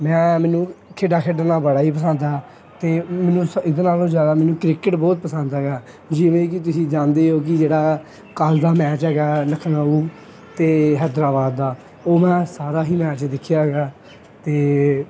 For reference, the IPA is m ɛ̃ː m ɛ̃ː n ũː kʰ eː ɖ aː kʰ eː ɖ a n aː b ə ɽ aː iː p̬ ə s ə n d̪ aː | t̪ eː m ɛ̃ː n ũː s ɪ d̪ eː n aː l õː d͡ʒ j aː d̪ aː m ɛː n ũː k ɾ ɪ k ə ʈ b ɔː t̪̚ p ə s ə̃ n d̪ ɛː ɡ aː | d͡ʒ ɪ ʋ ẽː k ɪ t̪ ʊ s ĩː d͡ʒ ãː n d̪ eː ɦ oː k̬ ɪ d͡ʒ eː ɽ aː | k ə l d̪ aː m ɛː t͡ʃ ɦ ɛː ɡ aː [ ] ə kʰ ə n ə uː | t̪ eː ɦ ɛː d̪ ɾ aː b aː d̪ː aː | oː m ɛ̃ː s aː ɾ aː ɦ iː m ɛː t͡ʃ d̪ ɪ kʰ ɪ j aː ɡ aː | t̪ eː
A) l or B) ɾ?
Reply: A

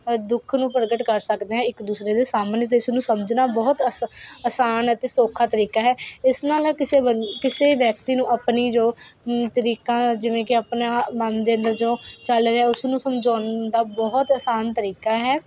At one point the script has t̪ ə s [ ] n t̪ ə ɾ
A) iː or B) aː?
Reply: B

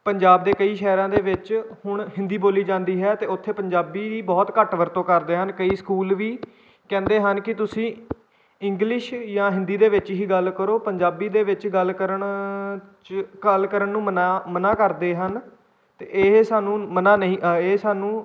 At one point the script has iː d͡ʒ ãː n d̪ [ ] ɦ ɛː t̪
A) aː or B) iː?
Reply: B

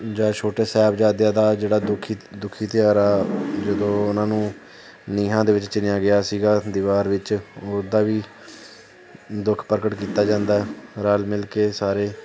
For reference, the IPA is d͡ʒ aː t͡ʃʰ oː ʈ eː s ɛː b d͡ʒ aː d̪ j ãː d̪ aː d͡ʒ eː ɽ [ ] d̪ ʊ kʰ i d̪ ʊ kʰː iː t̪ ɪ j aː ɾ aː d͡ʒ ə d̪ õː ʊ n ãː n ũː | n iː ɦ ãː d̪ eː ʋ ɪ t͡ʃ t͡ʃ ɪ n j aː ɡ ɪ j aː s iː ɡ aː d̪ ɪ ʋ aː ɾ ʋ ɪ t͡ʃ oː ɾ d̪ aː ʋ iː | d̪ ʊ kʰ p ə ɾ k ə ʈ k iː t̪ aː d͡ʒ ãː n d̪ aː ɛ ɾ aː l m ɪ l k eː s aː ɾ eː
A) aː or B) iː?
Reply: A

